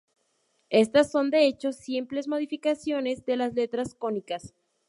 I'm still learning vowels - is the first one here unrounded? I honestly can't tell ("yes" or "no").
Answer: yes